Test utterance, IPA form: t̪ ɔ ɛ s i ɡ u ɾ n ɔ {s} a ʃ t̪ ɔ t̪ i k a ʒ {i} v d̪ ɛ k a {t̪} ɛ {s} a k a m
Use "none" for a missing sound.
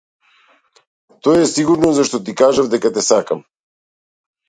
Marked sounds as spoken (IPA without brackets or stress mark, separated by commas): z, a, t̪, s